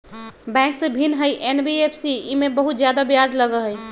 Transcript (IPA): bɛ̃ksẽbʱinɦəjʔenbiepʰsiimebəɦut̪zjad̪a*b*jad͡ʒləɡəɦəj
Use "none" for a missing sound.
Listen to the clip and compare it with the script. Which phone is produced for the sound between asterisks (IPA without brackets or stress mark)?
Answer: b